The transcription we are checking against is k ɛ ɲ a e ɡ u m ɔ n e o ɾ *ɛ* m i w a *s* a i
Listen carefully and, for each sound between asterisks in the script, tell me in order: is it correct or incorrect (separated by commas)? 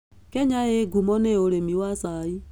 incorrect, correct